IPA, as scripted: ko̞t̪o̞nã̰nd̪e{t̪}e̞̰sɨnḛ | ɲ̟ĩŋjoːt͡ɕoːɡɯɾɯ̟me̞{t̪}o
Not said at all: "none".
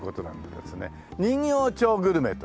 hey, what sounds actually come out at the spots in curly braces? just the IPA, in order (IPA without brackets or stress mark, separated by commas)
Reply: d̪, t̪